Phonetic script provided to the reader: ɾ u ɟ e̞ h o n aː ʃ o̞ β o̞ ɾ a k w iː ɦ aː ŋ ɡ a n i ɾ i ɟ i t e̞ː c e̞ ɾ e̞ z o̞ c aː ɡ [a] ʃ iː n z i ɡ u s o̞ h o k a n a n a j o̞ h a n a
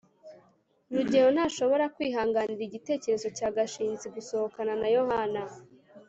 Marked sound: correct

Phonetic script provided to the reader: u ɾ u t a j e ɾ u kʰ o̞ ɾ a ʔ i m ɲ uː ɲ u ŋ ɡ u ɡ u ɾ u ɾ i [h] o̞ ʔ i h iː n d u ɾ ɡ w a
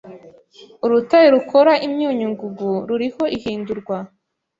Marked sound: correct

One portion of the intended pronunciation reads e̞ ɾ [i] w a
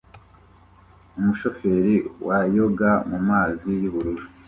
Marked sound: correct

